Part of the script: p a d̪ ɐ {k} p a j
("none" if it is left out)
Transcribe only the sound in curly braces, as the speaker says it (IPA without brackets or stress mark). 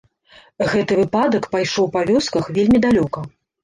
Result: k